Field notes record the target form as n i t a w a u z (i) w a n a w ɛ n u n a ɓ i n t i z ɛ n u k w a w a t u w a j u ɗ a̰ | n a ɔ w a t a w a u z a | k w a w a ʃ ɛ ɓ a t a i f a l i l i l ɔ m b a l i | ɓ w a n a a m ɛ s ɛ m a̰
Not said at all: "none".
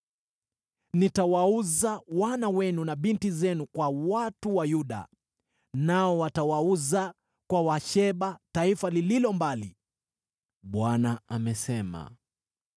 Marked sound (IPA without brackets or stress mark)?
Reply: a